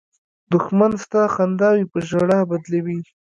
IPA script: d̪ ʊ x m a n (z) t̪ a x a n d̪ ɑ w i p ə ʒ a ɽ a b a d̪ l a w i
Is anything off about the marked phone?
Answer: yes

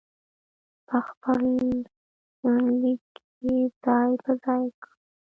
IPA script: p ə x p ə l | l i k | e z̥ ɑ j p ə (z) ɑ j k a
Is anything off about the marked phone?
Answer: no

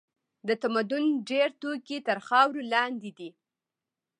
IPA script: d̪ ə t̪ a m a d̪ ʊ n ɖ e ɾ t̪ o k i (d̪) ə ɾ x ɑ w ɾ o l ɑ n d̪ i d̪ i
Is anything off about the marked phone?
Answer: yes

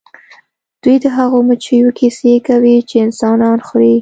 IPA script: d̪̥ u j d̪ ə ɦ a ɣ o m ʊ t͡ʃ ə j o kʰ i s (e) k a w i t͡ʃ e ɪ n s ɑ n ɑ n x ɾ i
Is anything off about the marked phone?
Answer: no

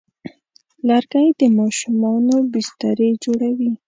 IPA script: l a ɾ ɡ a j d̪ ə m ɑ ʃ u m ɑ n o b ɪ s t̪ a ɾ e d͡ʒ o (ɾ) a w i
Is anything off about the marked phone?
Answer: yes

